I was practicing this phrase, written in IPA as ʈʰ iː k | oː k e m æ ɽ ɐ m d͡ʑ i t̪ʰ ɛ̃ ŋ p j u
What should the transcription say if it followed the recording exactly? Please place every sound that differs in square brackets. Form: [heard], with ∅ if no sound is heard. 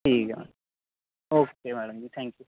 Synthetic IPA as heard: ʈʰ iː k | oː k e m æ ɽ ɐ m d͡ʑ i t̪ʰ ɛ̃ ŋ [k] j u